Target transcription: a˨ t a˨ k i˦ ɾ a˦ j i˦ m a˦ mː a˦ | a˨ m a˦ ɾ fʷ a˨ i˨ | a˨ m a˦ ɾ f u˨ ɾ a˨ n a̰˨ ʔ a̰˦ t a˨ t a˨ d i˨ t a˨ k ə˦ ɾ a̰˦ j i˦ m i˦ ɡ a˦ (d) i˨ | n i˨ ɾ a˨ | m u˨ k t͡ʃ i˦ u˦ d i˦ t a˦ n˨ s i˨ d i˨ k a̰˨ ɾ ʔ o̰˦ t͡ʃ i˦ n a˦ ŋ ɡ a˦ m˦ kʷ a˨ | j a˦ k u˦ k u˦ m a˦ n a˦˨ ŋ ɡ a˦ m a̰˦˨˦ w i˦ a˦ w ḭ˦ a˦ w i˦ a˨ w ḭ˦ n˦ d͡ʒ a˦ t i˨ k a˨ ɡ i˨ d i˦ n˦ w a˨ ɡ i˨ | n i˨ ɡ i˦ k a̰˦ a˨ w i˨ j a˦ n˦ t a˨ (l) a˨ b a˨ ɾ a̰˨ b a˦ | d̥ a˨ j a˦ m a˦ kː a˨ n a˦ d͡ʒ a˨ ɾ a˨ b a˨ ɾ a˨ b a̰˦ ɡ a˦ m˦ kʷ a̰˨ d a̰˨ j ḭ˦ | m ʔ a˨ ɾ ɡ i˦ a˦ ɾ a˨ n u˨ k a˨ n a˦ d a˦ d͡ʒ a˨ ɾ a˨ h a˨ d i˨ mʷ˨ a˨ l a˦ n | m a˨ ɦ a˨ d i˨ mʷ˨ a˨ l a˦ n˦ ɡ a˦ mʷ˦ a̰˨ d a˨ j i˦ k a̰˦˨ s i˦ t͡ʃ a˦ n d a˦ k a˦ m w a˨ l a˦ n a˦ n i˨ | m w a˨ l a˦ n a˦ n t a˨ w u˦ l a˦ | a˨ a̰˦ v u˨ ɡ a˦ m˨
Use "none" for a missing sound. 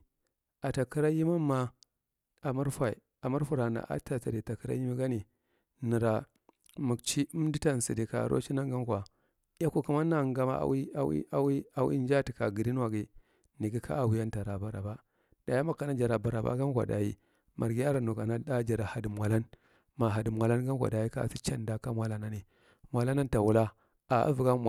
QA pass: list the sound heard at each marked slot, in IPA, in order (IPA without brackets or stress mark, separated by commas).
n, ɾ